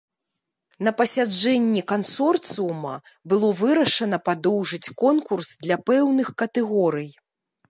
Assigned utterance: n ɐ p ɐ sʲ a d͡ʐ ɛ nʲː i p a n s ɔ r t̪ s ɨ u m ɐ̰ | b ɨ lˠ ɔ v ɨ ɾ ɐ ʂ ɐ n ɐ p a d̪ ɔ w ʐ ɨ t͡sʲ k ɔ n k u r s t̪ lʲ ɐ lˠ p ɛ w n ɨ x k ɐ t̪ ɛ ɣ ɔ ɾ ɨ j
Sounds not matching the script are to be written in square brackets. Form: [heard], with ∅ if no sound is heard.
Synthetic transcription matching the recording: n ɐ p ɐ sʲ a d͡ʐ ɛ nʲː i [k] a n s ɔ r t̪ s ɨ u m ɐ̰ | b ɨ lˠ ɔ v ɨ ɾ ɐ ʂ ɐ n ɐ p a d̪ ɔ w ʐ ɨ t͡sʲ k ɔ n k u r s [d̪] lʲ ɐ [∅] p ɛ w n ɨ x k ɐ t̪ ɛ ɣ ɔ ɾ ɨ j